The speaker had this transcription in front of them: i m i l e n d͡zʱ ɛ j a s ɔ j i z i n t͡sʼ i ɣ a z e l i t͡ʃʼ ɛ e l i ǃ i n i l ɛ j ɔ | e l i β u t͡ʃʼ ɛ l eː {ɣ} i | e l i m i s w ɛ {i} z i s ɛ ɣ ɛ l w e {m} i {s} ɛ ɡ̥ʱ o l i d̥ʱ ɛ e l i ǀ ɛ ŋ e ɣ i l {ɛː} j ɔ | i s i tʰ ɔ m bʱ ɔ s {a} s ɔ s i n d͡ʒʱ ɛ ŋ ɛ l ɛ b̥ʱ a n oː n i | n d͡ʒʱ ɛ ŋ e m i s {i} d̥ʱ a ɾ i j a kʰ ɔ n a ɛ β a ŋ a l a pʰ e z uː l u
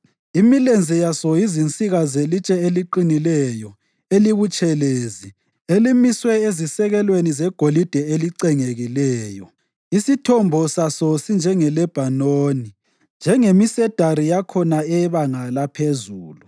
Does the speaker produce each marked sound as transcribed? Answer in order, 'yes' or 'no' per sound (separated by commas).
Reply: no, no, no, no, yes, yes, no